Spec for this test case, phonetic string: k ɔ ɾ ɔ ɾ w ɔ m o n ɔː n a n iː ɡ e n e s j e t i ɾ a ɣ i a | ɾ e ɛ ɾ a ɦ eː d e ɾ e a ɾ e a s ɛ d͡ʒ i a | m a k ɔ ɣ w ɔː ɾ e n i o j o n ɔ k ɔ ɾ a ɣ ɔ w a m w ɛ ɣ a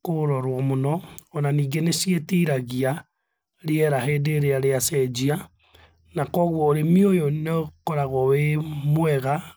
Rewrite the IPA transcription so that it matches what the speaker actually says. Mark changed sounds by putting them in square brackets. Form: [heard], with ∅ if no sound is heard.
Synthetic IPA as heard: k [o] ɾ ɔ ɾ w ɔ m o n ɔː n a n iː ɡ e n e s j e t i ɾ a ɣ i a | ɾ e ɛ ɾ a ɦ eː d e ɾ e a ɾ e a s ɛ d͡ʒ i a | [n] a k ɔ ɣ w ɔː ɾ e [m] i o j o n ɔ k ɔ ɾ a ɣ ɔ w [e] m w ɛ ɣ a